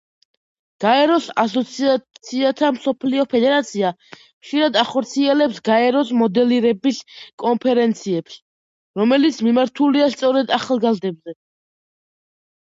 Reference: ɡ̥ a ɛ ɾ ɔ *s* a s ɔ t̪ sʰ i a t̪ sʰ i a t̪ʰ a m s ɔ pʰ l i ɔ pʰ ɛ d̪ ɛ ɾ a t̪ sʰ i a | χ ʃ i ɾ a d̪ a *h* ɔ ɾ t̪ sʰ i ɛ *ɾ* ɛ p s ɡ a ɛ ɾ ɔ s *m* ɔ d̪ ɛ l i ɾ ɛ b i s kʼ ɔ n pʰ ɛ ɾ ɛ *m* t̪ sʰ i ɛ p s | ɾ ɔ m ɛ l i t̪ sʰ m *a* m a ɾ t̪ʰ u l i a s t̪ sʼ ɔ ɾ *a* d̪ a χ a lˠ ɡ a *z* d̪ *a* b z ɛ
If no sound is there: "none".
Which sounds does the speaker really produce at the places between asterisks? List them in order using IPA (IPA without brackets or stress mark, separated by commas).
s, χ, l, m, n, i, ɛ, z, ɛ